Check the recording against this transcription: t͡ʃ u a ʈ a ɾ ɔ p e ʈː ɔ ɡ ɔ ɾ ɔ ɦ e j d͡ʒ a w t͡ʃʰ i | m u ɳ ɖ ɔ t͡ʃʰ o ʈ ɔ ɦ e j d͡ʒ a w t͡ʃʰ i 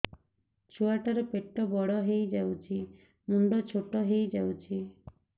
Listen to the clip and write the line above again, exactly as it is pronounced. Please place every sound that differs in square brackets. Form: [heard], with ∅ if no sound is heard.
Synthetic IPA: t͡ʃ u a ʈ a ɾ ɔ p e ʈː ɔ [b] ɔ [ɽ] ɔ ɦ e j d͡ʒ a w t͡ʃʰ i | m u ɳ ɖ ɔ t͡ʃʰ o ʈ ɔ ɦ e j d͡ʒ a w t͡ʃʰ i